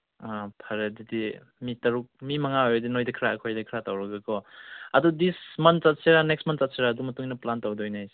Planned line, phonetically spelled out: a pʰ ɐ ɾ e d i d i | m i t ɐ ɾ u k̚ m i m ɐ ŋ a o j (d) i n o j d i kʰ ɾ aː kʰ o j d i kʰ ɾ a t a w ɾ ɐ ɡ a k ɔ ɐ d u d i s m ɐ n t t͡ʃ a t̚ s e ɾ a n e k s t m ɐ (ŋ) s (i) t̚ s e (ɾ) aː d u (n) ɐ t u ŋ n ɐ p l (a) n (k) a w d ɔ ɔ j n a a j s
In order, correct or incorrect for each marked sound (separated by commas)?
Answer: correct, incorrect, incorrect, correct, incorrect, correct, incorrect